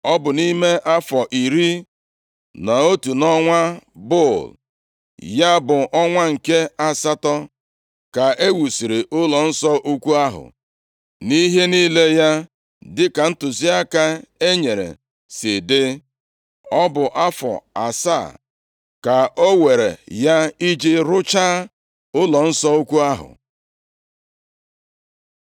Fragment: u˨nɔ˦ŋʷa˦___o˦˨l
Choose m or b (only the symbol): b